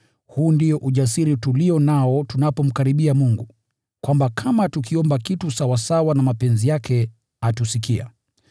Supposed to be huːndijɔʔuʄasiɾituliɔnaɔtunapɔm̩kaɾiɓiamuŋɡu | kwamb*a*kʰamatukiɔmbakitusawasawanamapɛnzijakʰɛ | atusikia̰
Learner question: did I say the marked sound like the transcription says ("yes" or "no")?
yes